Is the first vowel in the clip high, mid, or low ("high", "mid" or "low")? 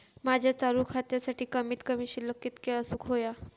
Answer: low